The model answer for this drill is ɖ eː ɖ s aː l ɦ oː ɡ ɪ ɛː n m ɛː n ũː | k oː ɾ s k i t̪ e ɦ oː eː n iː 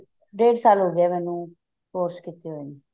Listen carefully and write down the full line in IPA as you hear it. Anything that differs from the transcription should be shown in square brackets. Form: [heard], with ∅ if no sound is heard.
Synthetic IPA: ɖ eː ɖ s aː l ɦ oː ɡ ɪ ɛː [∅] m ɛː n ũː | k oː ɾ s k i t̪ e ɦ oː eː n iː